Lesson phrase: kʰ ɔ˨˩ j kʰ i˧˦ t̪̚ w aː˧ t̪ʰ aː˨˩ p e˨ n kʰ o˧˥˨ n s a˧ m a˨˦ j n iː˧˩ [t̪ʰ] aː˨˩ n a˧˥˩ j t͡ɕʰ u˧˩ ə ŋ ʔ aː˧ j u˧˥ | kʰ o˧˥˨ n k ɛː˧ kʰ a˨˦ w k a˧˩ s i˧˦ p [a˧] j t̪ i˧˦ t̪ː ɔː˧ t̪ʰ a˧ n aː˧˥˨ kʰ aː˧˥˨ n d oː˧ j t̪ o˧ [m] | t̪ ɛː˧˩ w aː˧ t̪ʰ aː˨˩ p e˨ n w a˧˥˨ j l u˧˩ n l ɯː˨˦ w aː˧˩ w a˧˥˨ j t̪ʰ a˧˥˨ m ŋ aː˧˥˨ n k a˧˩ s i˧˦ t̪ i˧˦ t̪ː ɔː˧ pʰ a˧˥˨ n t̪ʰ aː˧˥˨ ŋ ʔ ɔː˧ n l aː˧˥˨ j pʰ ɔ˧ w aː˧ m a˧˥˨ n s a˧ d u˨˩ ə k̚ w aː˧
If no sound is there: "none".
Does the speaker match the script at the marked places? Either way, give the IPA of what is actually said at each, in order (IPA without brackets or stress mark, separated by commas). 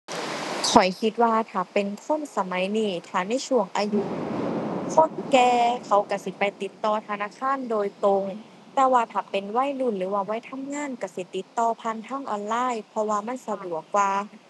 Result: t̪ʰ, a˧, ŋ